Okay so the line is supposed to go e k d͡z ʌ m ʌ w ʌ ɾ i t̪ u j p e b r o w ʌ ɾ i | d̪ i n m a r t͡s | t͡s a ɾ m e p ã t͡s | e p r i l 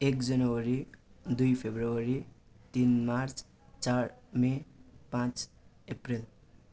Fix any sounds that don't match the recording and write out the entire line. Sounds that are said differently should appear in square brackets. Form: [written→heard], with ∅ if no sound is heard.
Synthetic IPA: e k d͡z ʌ [m→n] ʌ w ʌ ɾ i [t̪→d̪] u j [p→pʰ] e b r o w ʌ ɾ i | [d̪→t̪] i n m a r t͡s | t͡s a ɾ m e p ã t͡s | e p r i l